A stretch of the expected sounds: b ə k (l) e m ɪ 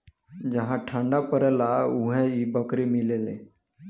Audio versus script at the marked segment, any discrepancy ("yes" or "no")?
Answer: yes